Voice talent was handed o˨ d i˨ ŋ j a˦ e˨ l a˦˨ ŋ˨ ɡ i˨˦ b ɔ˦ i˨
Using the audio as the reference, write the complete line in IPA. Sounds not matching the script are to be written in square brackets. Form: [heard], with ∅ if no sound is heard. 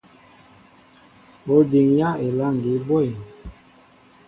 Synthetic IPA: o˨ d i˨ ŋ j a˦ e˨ l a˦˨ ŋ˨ ɡ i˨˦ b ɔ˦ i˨